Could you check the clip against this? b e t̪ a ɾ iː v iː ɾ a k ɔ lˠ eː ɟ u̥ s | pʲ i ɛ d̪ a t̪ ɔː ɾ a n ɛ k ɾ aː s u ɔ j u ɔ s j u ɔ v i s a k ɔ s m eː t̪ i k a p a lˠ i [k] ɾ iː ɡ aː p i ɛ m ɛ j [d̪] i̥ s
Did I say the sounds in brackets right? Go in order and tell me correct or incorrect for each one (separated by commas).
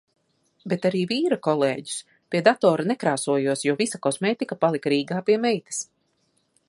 correct, incorrect